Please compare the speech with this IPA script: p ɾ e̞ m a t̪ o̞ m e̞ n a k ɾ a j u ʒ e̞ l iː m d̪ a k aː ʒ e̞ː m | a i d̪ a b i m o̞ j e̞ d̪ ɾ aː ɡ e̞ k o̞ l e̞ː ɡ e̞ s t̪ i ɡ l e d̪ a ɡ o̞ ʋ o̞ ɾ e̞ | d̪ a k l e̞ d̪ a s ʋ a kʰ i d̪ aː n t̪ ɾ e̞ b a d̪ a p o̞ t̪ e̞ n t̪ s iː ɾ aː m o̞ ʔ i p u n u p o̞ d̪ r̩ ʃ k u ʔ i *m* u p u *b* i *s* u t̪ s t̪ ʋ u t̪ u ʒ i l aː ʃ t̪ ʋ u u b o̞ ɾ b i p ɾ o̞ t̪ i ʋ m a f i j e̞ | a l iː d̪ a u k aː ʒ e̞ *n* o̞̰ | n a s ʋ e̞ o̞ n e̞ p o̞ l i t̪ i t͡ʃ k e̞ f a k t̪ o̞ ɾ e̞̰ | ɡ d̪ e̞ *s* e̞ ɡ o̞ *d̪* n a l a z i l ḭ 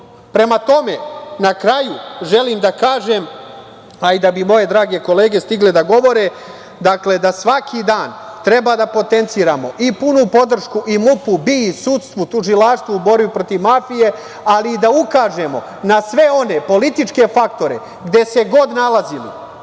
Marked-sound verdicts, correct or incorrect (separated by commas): correct, correct, correct, incorrect, correct, correct